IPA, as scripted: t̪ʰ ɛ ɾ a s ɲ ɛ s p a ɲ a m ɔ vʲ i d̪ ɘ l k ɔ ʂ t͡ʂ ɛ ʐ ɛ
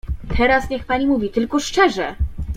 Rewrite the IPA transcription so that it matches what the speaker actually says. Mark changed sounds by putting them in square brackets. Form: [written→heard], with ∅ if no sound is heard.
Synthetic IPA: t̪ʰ ɛ ɾ a s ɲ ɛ [s→x] p a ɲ [a→i] m [ɔ→u] vʲ i [d̪→t̪] ɘ l k ɔ ʂ t͡ʂ ɛ ʐ ɛ